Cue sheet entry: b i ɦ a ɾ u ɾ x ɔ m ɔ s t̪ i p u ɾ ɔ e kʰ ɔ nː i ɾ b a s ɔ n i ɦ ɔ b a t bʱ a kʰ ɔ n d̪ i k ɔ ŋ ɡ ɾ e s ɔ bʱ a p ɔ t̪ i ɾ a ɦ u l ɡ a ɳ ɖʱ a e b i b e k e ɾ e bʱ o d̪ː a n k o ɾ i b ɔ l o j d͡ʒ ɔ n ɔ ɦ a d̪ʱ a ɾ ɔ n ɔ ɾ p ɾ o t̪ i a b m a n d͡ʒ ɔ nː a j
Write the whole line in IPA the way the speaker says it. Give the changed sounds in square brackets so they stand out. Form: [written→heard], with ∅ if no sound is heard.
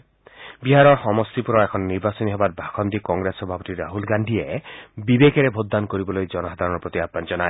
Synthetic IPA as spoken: b i ɦ a ɾ [u→ɔ] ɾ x ɔ m ɔ s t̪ i p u ɾ ɔ e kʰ ɔ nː i ɾ b a s ɔ n i ɦ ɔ b a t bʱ a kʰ ɔ n d̪ i k ɔ ŋ ɡ ɾ e s ɔ bʱ a p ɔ t̪ i ɾ a ɦ u l ɡ a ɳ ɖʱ [a→i] e b i b e k e ɾ e bʱ o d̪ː a n k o ɾ i b ɔ l o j d͡ʒ ɔ n ɔ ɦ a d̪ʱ a ɾ ɔ n ɔ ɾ p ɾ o t̪ i a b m a n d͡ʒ ɔ [nː→n] a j